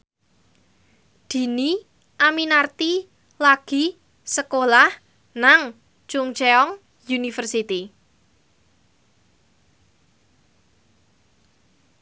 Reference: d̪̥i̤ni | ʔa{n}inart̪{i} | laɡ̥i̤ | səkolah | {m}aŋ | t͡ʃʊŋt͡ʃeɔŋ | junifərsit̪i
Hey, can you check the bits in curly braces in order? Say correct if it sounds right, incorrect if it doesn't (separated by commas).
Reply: incorrect, correct, incorrect